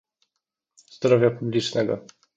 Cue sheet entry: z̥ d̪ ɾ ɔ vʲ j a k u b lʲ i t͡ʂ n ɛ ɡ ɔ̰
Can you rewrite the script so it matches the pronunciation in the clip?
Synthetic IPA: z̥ d̪ ɾ ɔ vʲ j a p u b lʲ i t͡ʂ n ɛ ɡ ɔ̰